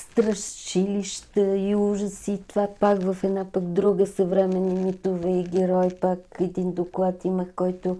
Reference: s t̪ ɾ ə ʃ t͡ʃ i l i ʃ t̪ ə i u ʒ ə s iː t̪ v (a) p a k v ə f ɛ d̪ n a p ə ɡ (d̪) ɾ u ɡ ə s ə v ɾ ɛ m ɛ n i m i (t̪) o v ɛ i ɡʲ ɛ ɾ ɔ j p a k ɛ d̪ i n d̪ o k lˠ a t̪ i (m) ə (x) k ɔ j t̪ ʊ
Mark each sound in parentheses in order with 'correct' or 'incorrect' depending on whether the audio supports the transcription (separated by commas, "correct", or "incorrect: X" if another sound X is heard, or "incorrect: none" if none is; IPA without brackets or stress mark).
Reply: correct, correct, correct, correct, correct